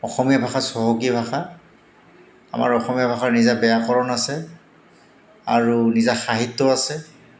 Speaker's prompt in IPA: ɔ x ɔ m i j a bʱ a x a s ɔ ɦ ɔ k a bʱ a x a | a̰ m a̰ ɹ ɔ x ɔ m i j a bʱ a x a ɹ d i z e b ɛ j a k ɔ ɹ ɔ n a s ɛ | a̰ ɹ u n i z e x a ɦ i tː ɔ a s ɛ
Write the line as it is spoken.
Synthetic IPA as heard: ɔ x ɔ m i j a bʱ a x a s ɔ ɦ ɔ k i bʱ a x a | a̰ m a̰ ɹ ɔ x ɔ m i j a bʱ a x a ɹ n i z a b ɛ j a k ɔ ɹ ɔ n a s ɛ | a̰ ɹ u n i z a x a ɦ i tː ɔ a s ɛ